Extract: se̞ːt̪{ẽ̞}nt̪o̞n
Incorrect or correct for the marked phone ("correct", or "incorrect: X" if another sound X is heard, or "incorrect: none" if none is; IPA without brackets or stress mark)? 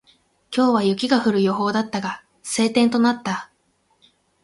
correct